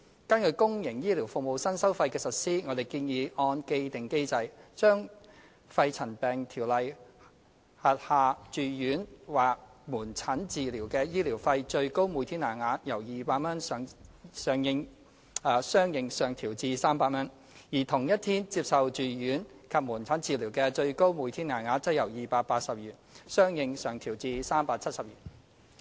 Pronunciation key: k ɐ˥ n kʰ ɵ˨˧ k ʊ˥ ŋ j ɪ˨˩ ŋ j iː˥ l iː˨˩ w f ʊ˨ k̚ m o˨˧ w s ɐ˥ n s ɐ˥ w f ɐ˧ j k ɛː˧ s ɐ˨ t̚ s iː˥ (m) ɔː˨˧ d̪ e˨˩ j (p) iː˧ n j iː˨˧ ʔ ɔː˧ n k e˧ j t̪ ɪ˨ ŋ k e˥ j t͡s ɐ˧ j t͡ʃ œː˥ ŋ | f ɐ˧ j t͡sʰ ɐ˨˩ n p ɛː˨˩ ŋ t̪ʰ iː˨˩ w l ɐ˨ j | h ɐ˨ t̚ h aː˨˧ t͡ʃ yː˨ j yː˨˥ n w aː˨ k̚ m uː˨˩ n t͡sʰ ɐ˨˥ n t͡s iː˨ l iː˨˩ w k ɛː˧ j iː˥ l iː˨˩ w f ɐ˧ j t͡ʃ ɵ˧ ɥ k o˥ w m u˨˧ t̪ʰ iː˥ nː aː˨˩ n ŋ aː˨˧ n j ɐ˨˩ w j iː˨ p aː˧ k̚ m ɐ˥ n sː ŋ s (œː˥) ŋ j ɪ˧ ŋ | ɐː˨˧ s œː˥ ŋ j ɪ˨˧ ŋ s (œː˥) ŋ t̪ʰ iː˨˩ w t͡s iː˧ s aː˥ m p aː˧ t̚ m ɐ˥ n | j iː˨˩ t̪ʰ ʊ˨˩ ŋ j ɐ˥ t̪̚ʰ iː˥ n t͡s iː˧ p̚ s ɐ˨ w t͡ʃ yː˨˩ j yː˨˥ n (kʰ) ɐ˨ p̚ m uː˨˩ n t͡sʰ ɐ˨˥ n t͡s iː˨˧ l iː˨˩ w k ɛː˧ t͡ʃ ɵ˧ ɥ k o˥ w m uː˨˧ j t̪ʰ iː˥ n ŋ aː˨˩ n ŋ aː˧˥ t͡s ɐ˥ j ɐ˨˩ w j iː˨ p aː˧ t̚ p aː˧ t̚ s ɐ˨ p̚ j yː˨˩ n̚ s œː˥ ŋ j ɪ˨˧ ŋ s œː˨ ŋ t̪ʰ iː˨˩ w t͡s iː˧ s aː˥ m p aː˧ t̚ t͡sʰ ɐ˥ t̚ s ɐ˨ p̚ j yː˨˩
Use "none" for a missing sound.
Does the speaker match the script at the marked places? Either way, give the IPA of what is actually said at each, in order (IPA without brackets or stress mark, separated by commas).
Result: ŋ, k, œː˨, œː˨, kʰ